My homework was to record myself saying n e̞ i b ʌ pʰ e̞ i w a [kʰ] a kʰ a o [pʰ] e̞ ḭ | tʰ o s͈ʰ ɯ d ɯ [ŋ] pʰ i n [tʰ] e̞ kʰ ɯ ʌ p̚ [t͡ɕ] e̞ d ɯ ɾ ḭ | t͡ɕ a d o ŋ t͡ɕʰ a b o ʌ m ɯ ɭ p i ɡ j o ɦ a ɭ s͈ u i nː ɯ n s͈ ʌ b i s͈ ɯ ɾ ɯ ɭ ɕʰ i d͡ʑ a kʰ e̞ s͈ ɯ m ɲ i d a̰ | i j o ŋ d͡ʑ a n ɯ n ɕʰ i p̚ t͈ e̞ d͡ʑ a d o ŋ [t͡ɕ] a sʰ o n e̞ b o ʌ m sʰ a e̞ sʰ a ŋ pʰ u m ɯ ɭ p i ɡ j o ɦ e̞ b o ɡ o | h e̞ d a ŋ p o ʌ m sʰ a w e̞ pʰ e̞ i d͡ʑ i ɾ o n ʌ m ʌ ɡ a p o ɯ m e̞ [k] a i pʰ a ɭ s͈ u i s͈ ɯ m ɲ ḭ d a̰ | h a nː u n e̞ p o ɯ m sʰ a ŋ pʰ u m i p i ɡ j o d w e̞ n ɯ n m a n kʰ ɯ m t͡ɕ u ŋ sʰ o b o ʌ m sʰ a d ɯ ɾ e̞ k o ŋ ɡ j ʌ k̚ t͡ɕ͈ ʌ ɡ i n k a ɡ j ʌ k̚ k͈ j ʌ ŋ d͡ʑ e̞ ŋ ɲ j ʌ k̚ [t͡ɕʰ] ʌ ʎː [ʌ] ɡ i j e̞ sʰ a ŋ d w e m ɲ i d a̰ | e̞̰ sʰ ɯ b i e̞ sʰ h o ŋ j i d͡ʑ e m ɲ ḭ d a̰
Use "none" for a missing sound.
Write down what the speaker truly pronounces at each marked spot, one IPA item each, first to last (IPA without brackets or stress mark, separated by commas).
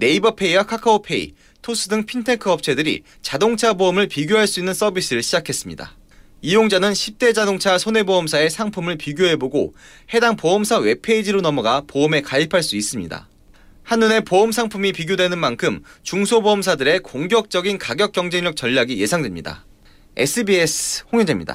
kʰ, pʰ, ŋ, tʰ, t͡ɕʰ, t͡ɕʰ, k, t͡ɕ, a